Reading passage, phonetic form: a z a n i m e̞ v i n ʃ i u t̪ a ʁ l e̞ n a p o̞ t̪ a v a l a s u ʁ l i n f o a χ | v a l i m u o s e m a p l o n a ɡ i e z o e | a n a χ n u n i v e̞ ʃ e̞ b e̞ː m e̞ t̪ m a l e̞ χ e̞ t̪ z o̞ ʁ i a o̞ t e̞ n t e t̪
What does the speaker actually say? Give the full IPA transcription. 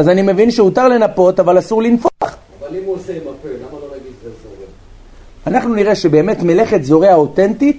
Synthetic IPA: a z a n i m e̞ v i n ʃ e u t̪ a ʁ l e̞ n a p o̞ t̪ a v a l a s u ʁ l i n f o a χ | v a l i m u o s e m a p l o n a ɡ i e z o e | a n a χ n u n i ʁ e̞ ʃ e̞ b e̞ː m e̞ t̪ m e l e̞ χ e̞ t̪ z o̞ ʁ e a o̞ t e̞ n t i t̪